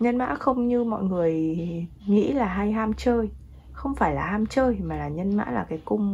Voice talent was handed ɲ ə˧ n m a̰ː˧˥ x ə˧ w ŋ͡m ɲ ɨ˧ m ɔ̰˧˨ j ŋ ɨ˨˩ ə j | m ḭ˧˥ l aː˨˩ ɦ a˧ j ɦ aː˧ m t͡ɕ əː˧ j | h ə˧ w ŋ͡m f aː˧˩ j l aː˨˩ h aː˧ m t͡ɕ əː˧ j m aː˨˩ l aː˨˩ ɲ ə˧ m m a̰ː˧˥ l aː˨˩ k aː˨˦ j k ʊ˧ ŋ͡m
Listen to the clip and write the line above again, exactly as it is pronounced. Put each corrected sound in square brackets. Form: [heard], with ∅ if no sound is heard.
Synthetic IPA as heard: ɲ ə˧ n m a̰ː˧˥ x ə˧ w ŋ͡m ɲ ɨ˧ m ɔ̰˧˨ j ŋ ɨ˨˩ ə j | [ŋ] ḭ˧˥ l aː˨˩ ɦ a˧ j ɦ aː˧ m t͡ɕ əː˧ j | [x] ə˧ w ŋ͡m f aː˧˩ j l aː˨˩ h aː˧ m t͡ɕ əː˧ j m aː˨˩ l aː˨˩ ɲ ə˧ [n] m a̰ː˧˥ l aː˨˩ k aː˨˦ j k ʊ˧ ŋ͡m